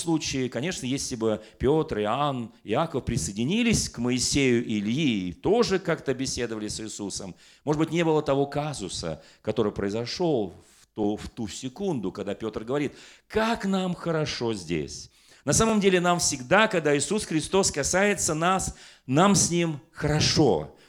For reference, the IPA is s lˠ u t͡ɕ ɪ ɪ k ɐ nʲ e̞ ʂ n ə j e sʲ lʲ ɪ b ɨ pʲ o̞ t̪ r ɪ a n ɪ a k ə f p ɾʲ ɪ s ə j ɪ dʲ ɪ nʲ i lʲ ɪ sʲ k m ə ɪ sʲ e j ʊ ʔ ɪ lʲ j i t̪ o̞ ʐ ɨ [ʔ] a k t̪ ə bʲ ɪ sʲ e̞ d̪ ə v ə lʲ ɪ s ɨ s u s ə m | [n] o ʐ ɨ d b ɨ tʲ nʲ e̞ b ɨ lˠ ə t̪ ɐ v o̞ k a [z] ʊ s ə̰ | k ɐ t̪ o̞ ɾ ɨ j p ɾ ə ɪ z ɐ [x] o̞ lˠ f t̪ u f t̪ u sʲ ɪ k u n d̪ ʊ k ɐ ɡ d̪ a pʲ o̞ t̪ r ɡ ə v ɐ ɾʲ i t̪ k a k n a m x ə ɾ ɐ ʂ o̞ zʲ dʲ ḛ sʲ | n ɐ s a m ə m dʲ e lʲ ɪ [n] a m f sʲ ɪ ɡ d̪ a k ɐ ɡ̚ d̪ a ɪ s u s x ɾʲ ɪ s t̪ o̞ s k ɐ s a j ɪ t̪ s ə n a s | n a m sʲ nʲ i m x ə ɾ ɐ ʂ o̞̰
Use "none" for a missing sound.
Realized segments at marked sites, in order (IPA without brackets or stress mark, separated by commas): k, m, z, ʂ, n